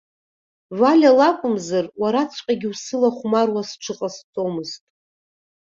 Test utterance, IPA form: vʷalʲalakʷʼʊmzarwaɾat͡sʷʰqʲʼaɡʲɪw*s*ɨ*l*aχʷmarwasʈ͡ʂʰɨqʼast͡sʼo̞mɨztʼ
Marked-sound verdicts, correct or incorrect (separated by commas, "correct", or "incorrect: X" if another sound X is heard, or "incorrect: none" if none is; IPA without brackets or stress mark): correct, correct